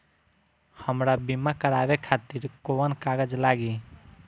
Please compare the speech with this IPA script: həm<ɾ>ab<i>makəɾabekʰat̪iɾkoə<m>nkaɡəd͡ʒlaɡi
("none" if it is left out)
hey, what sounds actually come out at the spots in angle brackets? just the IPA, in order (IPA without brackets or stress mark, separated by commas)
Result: ɾ, i, none